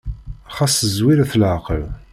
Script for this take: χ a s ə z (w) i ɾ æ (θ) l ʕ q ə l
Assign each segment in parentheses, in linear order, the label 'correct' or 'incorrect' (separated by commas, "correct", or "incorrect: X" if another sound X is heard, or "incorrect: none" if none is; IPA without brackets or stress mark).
correct, correct